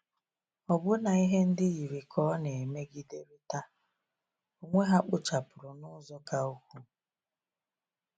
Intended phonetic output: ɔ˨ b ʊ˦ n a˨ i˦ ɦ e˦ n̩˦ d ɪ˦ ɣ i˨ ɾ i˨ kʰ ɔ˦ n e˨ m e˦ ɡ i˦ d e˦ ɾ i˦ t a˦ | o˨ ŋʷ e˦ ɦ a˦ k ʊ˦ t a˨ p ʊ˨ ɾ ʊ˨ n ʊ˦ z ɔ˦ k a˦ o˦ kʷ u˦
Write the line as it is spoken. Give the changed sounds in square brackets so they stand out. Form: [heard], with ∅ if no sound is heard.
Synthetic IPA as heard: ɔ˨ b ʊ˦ n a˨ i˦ ɦ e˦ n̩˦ d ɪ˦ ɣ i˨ ɾ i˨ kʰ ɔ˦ n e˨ m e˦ ɡ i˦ d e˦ ɾ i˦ t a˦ | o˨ ŋʷ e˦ ɦ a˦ [k͡p] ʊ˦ [t͡ʃ] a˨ p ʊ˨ ɾ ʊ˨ n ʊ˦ z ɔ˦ k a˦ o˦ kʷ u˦